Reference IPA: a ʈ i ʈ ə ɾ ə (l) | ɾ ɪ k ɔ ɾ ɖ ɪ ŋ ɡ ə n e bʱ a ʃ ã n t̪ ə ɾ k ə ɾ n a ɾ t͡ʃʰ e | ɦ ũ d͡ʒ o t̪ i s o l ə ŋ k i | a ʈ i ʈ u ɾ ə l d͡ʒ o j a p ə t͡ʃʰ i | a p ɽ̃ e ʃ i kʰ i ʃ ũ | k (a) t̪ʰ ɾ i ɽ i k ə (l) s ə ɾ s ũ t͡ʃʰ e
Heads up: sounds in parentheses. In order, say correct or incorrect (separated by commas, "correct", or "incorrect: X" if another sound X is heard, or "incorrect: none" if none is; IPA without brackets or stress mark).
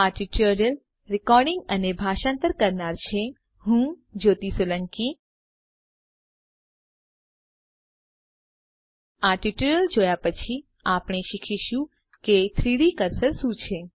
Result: correct, incorrect: e, incorrect: ɾ